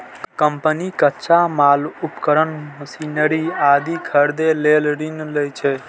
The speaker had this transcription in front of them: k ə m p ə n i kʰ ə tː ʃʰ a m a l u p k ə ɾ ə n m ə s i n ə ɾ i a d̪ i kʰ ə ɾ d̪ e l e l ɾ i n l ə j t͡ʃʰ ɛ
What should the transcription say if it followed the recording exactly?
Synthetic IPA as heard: k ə m p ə n i k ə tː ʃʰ a m a l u p k ə ɾ ə n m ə s i n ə ɾ i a d̪ i kʰ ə ɾ d̪ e l e l ɾ i n l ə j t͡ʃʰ ɛ